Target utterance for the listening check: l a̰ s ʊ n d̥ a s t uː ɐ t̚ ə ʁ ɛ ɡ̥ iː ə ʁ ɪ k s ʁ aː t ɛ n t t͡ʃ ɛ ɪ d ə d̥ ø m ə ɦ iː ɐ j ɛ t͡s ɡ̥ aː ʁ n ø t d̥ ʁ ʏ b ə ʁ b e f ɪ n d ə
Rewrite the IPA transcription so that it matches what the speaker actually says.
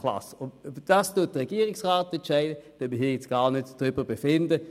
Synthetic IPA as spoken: l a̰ s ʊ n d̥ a s t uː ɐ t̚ ə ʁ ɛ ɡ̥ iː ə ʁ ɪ k s ʁ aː t ɛ n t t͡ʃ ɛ ɪ d ə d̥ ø m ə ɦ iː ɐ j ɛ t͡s ɡ̥ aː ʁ n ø t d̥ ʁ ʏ b ə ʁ b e f ɪ n d ə